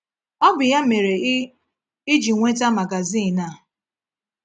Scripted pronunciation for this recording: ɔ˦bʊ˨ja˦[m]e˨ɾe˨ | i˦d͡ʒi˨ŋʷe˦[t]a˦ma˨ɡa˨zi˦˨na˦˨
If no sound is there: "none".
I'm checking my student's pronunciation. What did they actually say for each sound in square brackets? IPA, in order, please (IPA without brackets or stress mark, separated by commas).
m, t